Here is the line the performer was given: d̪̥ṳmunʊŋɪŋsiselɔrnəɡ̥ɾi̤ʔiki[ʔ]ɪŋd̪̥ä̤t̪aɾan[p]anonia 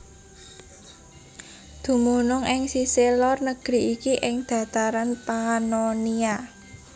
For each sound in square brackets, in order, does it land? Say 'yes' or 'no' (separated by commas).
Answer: yes, yes